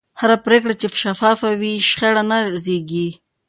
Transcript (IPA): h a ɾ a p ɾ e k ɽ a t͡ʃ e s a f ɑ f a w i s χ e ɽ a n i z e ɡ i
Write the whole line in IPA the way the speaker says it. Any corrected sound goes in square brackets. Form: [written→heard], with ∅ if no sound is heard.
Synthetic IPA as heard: h a ɾ a p ɾ e k ɽ a t͡ʃ e [s→ʃ] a f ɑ f a w i [s→ʃ] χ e ɽ a n [i→a] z e ɡ i

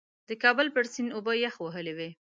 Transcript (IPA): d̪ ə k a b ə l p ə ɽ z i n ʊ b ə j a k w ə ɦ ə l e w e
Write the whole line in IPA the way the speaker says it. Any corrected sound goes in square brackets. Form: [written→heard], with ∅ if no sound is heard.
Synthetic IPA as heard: d̪ ə k [a→ɑ] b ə l p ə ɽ [z→s] i n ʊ b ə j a [k→x] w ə ɦ ə l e w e

